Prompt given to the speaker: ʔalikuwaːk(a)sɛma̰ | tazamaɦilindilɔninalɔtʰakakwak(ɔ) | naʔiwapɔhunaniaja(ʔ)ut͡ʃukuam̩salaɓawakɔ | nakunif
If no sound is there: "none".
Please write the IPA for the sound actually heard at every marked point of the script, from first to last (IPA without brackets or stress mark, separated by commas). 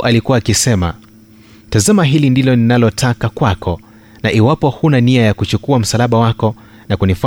i, ɔ, k